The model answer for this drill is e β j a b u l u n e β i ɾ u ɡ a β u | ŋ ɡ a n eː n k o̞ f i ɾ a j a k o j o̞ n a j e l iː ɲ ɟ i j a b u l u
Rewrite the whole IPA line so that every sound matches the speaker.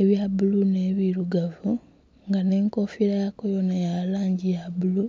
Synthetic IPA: e β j a b u l u n e β i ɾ u ɡ a v u | ŋ ɡ a n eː ŋ k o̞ f i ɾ a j a k o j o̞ n a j a l aː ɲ ɟ i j a b u l u